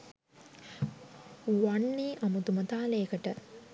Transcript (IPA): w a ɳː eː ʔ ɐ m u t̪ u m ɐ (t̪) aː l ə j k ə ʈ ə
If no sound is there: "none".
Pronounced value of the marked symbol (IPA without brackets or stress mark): t̪